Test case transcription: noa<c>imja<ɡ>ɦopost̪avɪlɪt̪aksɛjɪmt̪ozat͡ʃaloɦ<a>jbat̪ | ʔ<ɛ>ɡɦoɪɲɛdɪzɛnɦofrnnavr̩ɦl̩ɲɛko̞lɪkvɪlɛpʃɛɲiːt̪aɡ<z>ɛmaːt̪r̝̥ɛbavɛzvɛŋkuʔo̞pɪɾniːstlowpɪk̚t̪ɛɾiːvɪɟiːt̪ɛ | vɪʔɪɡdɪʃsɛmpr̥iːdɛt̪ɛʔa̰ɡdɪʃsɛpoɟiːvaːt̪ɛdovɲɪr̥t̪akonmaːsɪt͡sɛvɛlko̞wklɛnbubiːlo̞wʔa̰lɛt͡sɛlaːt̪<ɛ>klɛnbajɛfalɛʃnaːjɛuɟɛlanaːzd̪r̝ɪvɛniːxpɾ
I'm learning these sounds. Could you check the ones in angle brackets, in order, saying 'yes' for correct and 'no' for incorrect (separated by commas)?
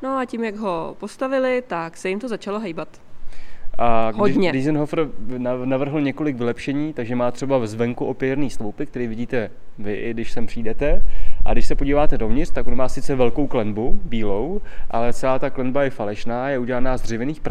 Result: yes, yes, no, no, no, no